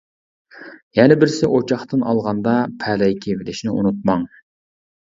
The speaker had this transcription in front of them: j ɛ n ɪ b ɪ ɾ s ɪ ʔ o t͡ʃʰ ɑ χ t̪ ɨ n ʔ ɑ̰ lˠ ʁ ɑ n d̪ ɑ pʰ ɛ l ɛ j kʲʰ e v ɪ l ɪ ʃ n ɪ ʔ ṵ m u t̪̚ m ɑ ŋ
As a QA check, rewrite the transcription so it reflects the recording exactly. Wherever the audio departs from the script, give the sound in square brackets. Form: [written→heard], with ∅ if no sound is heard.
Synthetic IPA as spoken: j ɛ n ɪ b ɪ ɾ s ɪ ʔ o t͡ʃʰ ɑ χ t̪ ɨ n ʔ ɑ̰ lˠ ʁ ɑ n d̪ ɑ pʰ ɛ l ɛ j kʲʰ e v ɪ l ɪ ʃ n ɪ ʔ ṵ [m→n] u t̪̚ m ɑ ŋ